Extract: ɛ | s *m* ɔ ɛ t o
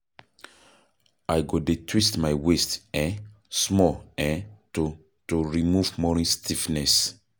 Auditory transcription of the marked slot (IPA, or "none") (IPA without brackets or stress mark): m